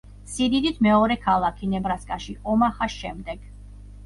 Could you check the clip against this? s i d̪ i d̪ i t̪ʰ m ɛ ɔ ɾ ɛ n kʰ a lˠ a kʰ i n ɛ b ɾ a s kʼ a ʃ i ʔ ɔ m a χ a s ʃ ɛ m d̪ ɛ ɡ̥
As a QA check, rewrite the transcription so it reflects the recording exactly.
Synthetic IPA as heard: s i d̪ i d̪ i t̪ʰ m ɛ ɔ ɾ ɛ kʰ a lˠ a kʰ i n ɛ b ɾ a s kʼ a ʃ i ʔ ɔ m a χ a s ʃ ɛ m d̪ ɛ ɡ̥